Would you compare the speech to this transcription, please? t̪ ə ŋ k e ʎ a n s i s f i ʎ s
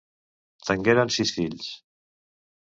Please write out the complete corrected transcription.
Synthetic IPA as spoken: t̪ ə ŋ ɡ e ɾ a n s i s f i ʎ s